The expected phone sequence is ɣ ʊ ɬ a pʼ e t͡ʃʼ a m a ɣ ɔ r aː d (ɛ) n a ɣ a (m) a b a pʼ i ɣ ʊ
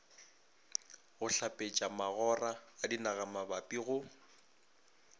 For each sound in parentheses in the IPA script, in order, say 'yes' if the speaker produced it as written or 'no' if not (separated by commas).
no, yes